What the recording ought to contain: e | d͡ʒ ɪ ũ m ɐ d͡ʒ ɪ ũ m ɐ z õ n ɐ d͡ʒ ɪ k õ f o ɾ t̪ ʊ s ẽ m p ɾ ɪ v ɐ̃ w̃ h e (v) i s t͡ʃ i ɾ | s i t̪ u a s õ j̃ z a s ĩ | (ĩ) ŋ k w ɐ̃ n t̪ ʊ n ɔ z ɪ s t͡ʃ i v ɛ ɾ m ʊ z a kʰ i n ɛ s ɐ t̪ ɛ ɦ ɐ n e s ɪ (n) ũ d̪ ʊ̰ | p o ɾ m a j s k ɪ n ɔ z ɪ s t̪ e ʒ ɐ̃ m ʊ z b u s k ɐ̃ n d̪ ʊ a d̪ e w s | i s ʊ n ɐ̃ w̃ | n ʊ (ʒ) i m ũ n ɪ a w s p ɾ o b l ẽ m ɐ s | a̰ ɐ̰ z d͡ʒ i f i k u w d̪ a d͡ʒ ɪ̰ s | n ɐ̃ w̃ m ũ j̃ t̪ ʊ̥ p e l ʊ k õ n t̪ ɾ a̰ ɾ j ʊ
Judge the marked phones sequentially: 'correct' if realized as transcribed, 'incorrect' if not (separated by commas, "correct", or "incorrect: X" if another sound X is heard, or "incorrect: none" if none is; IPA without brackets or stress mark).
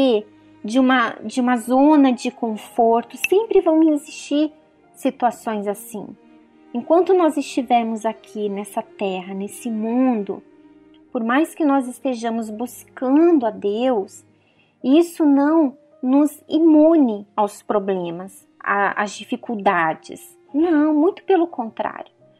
incorrect: z, incorrect: ẽ, incorrect: m, incorrect: z